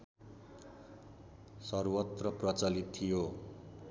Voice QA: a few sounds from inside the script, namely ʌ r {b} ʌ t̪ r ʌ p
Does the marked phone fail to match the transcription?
yes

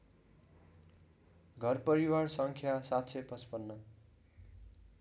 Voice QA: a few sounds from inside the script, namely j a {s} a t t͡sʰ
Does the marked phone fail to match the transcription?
no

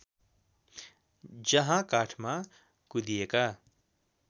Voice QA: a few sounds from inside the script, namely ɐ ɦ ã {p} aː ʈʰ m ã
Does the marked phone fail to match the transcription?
yes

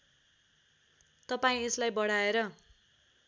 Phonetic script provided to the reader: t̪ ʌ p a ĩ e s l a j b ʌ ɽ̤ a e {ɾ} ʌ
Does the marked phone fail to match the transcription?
no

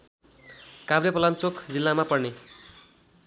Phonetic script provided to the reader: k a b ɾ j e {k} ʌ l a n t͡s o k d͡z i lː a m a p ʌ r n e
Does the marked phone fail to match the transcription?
yes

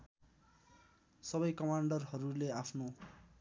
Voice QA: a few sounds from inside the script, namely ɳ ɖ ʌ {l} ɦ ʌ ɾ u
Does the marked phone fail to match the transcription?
yes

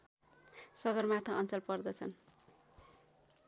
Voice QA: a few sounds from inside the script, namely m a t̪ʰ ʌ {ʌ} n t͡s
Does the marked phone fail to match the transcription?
no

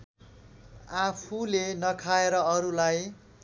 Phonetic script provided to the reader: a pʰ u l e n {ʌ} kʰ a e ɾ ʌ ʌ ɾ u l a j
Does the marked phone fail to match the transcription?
no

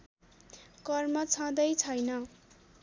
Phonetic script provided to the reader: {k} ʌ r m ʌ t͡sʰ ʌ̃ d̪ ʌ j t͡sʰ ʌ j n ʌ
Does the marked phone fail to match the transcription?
no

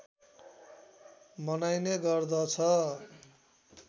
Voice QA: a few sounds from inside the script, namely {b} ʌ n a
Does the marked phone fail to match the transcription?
yes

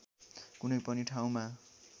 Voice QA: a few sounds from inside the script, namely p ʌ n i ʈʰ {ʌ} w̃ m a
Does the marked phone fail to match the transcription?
yes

